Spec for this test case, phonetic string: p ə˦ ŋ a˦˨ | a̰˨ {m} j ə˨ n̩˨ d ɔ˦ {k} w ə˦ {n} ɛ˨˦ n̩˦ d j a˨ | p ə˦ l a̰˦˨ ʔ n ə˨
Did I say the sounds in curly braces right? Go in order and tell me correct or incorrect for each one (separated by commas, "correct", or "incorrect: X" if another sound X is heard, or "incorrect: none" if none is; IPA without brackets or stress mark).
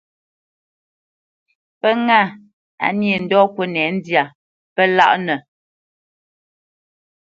incorrect: n, correct, correct